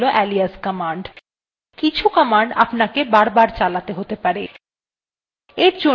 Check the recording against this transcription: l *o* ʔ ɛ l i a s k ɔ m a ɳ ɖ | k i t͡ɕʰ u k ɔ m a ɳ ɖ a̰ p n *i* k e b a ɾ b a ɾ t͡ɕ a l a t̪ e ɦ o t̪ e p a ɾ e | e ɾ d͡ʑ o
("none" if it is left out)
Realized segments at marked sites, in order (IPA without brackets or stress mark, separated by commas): o, a